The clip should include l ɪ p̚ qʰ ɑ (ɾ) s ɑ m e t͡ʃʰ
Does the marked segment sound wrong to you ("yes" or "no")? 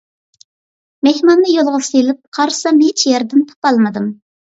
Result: no